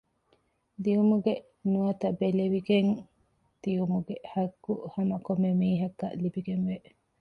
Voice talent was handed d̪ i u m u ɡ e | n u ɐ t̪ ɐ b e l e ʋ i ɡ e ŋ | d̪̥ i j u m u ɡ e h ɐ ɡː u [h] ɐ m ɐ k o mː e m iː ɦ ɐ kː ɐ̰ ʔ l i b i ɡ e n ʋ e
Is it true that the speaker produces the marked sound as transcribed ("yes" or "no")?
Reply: yes